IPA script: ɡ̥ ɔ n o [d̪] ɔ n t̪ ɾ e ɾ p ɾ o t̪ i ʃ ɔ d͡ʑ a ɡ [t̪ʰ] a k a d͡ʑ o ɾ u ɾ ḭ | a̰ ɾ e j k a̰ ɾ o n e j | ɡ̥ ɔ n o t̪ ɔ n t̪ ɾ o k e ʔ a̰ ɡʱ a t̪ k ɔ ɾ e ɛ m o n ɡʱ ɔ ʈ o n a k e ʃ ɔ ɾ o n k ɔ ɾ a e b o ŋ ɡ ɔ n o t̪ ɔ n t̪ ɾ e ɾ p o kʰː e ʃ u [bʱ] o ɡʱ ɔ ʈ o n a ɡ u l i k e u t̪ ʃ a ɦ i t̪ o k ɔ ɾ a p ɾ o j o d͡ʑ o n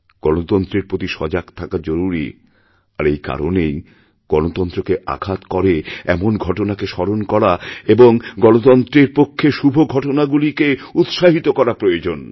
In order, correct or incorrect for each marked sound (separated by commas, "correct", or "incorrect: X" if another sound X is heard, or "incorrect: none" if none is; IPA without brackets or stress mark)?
incorrect: t̪, correct, correct